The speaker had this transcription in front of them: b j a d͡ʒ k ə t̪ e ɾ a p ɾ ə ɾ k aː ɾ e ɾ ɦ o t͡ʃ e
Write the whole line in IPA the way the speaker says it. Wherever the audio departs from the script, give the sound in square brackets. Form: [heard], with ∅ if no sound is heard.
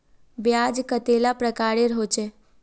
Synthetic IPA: b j a d͡ʒ k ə t̪ e [l] a p ɾ ə [∅] k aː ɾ e ɾ ɦ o t͡ʃ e